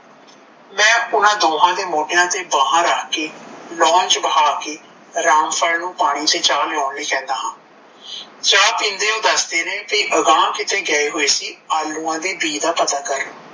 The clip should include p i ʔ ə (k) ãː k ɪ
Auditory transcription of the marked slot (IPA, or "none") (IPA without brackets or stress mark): ɡ